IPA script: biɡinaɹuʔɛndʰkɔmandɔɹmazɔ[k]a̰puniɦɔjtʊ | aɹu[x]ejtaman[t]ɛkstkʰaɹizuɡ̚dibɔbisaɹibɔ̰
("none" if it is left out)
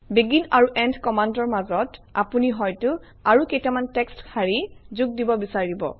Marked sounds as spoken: t, k, t

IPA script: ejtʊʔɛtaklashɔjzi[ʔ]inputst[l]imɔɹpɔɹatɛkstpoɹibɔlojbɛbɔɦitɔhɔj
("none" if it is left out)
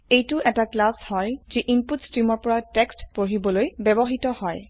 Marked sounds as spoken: ʔ, ɹ

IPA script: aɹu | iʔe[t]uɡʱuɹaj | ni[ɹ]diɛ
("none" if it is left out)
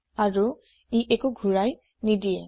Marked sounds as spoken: k, none

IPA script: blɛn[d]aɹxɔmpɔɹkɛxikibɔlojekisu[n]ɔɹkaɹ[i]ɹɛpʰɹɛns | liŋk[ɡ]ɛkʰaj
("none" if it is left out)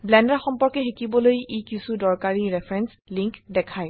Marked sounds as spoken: d, d, i, d

